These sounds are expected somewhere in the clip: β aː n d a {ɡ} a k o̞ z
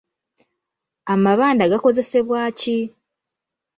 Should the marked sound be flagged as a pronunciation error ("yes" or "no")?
no